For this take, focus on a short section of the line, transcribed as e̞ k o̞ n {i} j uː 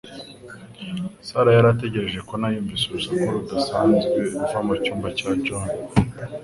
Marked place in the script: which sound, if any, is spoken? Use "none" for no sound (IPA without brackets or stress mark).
a